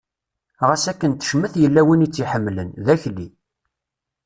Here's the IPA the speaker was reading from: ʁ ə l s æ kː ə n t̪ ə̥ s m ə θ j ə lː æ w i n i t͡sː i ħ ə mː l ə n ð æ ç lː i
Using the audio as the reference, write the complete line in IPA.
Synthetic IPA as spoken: ʁ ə s æ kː ə n t̪ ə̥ ʃ m ə θ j ə lː æ w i n i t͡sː i ħ ə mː l ə n ð æ ç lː i